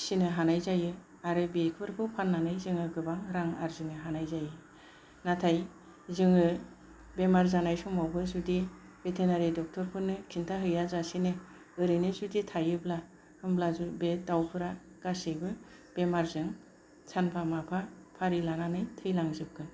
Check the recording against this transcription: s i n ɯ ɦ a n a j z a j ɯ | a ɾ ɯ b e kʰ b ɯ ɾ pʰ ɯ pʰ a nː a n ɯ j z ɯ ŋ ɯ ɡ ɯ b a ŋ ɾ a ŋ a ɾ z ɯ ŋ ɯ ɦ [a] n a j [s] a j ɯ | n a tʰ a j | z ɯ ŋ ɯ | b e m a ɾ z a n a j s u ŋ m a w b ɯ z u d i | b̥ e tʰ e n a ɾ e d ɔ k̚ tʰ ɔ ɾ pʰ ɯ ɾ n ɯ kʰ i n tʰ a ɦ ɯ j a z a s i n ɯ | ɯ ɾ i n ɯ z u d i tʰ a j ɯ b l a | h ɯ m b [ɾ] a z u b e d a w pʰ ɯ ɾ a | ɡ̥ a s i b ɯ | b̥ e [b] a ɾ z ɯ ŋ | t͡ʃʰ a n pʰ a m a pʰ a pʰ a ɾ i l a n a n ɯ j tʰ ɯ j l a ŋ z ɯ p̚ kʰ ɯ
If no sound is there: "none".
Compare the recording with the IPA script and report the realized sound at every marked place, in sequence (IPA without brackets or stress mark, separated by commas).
a, z, l, m